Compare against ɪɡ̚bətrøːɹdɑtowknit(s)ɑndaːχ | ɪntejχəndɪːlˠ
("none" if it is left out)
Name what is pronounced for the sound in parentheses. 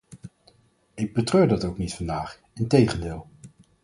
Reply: f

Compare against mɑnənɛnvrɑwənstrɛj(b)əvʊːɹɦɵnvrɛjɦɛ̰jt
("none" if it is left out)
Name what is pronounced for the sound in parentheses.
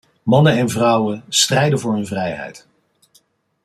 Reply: d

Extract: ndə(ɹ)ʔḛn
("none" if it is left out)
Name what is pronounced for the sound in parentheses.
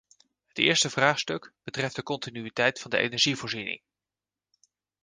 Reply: none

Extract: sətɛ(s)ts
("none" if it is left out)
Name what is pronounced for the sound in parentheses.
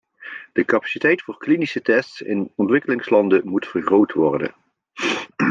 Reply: s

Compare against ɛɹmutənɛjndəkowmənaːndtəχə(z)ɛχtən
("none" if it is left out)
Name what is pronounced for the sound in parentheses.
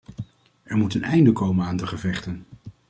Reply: v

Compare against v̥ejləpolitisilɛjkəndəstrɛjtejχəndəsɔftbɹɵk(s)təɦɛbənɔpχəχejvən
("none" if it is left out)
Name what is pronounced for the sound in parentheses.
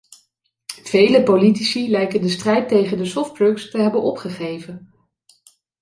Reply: s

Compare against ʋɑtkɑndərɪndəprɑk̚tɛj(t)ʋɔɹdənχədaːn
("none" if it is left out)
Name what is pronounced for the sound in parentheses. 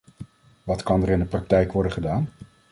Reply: k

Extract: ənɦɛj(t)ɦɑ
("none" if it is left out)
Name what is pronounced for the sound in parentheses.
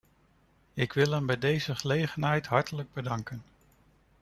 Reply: t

